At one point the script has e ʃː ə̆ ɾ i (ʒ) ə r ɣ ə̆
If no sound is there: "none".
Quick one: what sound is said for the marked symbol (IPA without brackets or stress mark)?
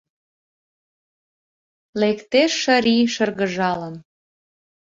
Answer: ʃ